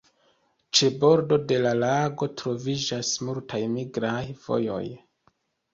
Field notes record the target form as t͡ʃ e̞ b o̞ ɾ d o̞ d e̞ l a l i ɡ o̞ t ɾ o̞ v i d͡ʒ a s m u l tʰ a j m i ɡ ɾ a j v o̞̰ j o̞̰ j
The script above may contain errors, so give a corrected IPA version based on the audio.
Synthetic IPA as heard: t͡ʃ e̞ b o̞ ɾ d o̞ d e̞ l a l a ɡ o̞ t ɾ o̞ v i d͡ʒ a s m u l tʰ a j m i ɡ ɾ a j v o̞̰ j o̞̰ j